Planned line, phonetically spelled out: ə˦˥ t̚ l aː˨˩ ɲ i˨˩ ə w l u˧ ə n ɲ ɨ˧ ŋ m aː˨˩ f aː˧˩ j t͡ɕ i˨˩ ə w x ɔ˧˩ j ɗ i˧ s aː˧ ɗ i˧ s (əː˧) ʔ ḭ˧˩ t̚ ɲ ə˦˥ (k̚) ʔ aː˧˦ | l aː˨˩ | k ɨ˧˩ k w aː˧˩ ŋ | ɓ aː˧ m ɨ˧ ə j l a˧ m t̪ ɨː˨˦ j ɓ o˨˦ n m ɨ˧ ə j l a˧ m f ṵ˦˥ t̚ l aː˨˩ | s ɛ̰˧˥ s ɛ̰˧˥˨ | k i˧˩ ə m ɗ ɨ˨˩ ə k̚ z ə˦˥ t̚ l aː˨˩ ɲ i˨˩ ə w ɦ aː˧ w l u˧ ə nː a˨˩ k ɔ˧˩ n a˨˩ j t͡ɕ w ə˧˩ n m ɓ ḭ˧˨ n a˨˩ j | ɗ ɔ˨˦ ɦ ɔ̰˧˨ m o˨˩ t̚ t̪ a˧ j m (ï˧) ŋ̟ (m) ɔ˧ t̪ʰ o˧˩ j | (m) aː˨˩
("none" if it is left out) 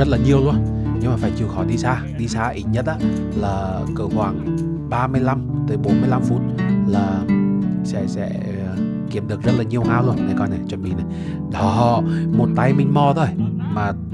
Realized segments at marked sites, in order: aː˧, t̚, ï˧, m, m

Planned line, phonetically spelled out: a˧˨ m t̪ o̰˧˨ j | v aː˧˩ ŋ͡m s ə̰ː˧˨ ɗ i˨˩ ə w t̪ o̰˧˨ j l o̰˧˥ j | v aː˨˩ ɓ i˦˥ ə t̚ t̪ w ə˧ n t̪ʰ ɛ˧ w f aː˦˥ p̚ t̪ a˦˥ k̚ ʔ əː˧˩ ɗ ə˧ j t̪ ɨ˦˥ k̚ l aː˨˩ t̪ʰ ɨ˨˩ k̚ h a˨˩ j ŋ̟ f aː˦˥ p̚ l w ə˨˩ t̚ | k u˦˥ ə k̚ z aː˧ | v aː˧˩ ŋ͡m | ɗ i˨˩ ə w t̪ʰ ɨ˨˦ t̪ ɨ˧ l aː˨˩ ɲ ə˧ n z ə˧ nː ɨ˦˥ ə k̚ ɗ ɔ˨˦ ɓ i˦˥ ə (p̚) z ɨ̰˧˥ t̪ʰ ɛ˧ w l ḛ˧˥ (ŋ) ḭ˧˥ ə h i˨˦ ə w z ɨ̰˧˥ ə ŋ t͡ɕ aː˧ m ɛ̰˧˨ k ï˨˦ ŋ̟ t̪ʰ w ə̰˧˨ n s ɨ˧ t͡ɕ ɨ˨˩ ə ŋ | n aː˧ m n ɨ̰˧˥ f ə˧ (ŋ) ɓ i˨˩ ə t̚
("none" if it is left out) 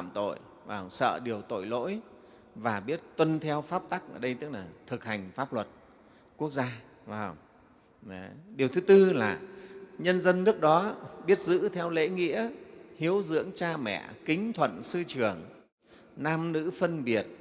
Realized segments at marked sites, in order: t̚, ŋ, n

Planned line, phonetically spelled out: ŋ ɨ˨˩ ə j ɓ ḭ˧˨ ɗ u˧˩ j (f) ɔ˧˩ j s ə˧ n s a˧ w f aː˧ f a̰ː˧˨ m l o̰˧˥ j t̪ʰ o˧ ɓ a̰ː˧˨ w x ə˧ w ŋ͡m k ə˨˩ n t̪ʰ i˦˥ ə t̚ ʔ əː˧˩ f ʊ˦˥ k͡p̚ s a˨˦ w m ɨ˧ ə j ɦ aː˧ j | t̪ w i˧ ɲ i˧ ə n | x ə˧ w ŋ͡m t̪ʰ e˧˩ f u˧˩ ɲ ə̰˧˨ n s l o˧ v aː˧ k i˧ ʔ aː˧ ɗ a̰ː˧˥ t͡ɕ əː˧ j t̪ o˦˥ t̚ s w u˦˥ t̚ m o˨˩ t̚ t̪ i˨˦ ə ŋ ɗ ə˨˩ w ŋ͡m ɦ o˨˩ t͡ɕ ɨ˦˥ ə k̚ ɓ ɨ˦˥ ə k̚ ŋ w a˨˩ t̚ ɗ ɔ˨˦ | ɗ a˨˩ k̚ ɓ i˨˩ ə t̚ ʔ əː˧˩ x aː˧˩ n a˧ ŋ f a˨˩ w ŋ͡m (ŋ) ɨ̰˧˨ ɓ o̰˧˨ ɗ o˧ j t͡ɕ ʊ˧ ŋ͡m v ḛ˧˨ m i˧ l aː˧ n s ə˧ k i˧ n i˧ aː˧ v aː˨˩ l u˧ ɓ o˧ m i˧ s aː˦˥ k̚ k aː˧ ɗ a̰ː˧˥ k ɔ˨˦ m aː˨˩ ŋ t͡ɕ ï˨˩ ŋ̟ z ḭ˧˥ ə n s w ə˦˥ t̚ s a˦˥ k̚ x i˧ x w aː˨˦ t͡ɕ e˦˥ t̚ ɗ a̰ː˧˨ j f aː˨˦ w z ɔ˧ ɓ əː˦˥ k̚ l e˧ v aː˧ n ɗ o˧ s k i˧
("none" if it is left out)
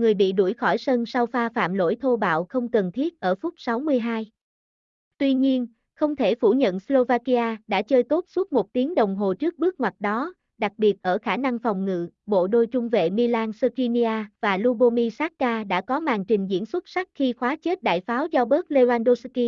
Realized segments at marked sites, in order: x, ŋ

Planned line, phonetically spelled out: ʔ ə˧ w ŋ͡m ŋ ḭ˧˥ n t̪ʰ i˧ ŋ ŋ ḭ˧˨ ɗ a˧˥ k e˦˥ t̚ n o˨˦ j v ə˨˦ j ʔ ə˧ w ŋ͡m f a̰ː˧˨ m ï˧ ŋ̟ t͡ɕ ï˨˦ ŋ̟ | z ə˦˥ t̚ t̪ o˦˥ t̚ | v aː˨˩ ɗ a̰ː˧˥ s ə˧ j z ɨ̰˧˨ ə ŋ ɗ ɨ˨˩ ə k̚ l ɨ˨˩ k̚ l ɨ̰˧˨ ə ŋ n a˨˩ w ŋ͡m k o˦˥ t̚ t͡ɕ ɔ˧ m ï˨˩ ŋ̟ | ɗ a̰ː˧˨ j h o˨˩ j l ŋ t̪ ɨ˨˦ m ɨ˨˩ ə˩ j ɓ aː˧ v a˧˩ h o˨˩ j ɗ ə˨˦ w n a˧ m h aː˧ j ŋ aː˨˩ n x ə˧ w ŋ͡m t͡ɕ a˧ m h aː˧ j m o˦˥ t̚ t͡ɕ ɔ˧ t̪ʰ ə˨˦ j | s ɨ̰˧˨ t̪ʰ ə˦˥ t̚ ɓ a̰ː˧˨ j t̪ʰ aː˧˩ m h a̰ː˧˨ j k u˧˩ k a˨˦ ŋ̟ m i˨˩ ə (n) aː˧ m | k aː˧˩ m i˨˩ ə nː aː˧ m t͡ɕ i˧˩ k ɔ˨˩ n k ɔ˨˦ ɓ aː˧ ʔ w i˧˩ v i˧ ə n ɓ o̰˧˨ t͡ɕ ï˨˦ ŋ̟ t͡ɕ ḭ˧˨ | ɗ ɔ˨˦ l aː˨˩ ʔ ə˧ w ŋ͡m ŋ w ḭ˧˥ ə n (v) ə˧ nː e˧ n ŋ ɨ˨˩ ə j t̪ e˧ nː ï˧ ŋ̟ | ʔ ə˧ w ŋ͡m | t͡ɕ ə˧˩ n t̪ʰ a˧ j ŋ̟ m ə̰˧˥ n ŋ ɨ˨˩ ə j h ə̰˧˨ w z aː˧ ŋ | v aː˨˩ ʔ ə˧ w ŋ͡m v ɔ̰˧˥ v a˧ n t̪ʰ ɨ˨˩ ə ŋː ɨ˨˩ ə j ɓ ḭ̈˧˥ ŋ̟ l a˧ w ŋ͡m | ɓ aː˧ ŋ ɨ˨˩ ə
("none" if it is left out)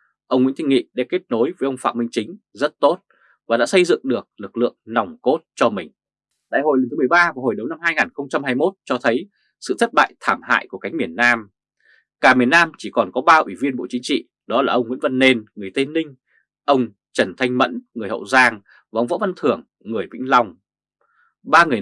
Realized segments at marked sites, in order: nː, v

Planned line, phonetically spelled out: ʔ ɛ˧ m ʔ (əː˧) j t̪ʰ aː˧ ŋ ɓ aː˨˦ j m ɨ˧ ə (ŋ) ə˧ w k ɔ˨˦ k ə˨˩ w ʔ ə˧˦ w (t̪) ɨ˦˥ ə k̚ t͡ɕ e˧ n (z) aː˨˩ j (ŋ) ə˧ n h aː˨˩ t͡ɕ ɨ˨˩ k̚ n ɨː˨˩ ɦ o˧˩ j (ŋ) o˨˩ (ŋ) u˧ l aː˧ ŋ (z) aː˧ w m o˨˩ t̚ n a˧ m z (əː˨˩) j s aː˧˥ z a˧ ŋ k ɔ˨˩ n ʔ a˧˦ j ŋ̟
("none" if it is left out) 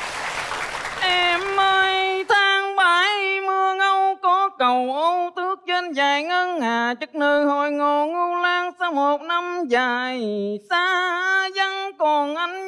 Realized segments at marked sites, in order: əː˧, ŋ, t̪, z, ŋ, ŋ, ŋ, s, aː˨˩

